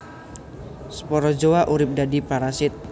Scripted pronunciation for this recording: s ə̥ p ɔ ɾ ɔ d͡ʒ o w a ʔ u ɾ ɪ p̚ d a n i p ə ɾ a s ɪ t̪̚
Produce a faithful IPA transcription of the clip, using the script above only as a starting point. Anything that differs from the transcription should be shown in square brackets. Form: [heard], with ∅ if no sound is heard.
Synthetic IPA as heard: s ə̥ p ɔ ɾ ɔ d͡ʒ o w a ʔ u ɾ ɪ p̚ d a [d] i p [a] ɾ a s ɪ t̪̚